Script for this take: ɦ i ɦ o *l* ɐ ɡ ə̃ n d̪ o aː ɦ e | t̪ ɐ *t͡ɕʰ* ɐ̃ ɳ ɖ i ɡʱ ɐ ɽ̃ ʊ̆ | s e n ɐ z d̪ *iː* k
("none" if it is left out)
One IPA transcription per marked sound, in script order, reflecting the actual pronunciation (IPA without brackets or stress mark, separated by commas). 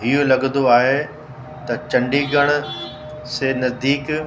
l, t͡ɕ, iː